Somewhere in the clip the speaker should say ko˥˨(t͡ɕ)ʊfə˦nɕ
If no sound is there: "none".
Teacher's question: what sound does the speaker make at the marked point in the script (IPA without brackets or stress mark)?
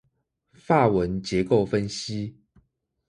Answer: none